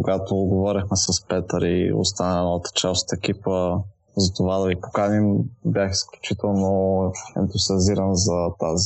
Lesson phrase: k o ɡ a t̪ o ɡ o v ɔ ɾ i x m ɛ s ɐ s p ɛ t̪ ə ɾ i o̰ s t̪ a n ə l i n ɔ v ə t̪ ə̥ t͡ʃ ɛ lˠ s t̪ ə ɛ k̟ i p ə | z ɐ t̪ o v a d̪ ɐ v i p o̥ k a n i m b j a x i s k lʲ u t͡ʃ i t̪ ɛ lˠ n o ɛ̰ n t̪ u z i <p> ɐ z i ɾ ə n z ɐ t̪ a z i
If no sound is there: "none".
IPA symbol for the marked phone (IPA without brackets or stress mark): none